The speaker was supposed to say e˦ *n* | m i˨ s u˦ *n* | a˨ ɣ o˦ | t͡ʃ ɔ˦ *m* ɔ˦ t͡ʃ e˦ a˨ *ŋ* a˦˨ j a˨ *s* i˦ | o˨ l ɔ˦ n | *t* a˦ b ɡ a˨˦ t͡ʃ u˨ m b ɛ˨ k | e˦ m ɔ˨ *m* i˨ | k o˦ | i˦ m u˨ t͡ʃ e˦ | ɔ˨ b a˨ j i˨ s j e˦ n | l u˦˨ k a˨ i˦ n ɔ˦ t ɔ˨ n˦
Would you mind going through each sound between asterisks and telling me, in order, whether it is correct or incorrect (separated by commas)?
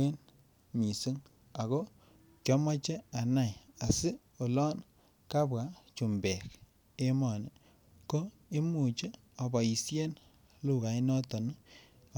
correct, incorrect, correct, incorrect, correct, incorrect, incorrect